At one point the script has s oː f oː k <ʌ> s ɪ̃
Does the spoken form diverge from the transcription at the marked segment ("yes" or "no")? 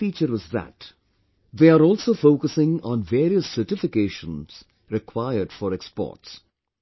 yes